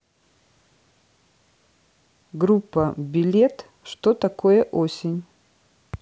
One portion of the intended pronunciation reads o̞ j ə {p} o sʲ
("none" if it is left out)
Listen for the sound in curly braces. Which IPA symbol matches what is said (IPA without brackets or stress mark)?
ʔ